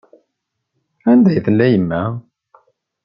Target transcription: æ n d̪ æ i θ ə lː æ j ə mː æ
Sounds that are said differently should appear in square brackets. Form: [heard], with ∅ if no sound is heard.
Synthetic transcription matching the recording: æ n d̪ æ [j] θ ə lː æ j ə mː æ